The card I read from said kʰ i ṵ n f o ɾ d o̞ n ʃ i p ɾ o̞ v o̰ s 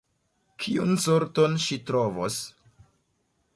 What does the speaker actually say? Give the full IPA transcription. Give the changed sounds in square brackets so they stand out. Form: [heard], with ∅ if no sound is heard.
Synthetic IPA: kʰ i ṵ n [s] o ɾ [t] o̞ n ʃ i [t] ɾ o̞ v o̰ s